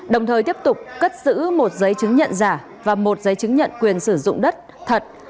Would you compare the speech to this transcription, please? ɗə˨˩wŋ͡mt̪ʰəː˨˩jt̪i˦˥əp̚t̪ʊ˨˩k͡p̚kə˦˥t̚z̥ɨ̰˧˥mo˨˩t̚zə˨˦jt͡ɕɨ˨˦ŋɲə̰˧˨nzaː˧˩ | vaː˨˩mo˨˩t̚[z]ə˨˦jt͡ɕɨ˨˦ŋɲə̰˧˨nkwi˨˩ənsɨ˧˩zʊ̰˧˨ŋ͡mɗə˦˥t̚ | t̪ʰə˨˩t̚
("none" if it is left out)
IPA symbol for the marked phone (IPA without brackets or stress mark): z